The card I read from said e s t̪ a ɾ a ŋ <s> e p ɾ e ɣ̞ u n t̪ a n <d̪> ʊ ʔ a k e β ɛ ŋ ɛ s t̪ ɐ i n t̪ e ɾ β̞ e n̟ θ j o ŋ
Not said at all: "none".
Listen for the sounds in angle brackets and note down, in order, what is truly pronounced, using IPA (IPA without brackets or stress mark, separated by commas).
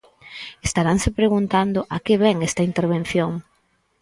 s, d̪